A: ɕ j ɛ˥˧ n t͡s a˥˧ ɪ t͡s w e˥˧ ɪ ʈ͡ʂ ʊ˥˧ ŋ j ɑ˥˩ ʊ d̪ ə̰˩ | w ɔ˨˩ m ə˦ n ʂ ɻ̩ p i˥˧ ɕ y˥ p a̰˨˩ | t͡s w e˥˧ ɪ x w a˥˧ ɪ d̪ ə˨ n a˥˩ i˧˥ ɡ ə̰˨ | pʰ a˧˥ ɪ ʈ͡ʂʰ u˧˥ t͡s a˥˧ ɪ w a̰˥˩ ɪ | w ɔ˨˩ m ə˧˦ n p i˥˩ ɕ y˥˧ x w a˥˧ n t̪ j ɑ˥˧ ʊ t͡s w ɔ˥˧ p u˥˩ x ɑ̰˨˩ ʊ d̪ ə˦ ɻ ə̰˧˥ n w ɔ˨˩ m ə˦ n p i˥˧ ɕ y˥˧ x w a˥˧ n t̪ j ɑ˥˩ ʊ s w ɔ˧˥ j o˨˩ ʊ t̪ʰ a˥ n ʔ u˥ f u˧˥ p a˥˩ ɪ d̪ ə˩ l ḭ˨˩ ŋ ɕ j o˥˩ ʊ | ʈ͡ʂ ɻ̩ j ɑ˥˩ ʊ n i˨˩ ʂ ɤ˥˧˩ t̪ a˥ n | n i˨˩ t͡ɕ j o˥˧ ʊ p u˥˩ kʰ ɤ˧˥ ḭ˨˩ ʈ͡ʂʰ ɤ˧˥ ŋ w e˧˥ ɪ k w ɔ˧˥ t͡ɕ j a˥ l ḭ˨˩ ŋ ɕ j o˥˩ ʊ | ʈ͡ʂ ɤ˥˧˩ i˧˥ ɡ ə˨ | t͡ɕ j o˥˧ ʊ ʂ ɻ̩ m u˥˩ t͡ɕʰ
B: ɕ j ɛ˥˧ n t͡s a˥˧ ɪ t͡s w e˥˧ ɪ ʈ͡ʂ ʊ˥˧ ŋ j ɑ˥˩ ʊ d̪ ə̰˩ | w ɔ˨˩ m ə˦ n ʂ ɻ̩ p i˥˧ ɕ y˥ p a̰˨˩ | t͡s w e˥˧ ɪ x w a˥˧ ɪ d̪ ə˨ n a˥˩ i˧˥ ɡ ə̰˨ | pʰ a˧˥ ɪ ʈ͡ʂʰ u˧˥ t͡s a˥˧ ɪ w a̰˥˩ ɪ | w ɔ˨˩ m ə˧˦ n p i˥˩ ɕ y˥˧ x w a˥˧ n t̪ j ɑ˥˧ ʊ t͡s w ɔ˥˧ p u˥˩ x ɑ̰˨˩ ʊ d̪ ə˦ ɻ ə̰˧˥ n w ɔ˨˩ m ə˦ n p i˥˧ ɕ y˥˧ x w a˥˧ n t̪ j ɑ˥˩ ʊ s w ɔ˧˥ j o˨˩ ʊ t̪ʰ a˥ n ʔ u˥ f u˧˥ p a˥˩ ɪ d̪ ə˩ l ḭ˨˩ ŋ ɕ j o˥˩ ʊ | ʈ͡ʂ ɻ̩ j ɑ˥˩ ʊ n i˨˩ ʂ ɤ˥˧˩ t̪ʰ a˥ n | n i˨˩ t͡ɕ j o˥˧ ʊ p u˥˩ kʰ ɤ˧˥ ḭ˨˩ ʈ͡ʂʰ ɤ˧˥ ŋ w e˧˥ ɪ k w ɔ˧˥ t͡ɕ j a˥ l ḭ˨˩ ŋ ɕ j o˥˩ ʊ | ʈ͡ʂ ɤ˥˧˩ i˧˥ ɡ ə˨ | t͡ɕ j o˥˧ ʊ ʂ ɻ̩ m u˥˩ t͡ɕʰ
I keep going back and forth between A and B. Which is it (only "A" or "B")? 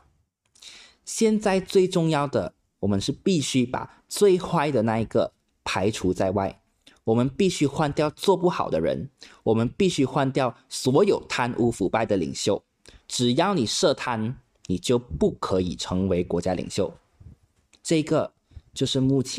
B